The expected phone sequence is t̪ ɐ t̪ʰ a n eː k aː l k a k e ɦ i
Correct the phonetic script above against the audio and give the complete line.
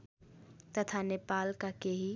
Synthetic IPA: t̪ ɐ t̪ʰ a n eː p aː l k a k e ɦ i